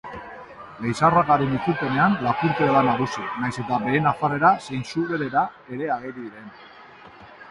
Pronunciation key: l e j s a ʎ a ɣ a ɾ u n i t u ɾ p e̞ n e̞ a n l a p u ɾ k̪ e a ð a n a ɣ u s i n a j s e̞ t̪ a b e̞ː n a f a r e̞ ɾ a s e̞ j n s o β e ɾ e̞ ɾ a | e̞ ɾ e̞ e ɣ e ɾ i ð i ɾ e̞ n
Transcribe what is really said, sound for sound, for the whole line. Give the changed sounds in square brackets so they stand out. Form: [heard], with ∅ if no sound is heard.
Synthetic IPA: l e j s a [r] a ɣ a ɾ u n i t u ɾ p e̞ n e̞ a n l a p u ɾ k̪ e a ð a n a ɣ u s i n a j s e̞ t̪ a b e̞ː n a f a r e̞ ɾ a s e̞ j n s [u] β e ɾ e̞ ɾ a | e̞ ɾ e̞ [a] ɣ e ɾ i ð i ɾ e̞ n